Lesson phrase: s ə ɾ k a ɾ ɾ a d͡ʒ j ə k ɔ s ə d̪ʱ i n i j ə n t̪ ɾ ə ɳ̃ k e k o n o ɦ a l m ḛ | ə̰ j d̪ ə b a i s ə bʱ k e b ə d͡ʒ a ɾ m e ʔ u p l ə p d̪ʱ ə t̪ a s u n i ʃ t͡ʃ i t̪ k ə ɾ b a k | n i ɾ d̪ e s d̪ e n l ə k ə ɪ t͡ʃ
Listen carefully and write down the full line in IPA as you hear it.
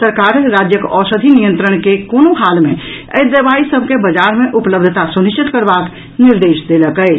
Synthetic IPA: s ə ɾ k a ɾ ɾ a d͡ʒ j ə k ɔ s ə d̪ʱ i n i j ə n t̪ ɾ ə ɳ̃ k e k o n o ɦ a l m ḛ | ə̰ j d̪ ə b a i s ə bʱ k e b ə d͡ʒ a ɾ m e ʔ u p l ə b d̪ʱ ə t̪ a s u n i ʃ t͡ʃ i t̪ k ə ɾ b a k | n i ɾ d̪ e s d̪ e l ə k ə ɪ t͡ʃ